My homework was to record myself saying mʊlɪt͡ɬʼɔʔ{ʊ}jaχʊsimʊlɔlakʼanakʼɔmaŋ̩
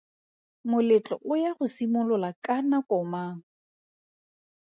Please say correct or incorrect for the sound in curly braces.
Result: correct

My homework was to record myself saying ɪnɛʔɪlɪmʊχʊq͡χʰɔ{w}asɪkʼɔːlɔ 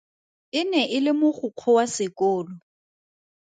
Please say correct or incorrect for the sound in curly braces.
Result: correct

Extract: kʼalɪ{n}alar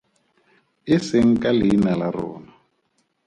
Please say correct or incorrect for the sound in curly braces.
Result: correct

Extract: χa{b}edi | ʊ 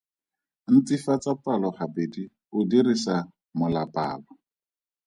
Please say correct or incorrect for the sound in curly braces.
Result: correct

